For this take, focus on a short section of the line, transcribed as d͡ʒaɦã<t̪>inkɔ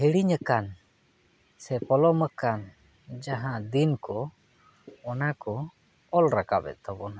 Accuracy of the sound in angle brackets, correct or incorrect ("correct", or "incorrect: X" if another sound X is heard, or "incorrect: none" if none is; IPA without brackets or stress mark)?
incorrect: d̪